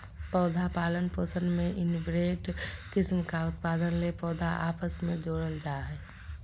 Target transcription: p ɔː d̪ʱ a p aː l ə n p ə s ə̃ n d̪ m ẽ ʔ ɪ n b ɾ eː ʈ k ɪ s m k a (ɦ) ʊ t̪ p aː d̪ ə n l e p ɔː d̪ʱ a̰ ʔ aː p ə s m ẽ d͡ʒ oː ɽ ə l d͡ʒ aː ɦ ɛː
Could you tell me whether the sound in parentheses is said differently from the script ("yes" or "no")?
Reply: yes